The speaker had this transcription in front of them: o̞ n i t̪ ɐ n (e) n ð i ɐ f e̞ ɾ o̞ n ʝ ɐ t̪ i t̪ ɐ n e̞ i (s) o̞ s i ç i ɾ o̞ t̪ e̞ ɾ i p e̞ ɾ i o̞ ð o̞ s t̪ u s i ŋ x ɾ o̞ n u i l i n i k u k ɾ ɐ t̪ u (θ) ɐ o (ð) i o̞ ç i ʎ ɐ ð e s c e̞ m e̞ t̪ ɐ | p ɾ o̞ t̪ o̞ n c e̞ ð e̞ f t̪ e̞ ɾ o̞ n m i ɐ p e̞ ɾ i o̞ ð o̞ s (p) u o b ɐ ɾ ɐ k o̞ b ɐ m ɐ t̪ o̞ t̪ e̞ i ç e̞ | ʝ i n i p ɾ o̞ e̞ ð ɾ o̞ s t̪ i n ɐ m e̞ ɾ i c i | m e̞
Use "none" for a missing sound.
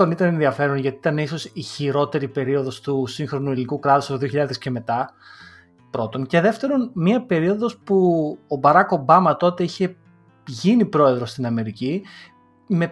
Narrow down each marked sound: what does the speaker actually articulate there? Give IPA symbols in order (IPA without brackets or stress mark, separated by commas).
e, s, s, ð, p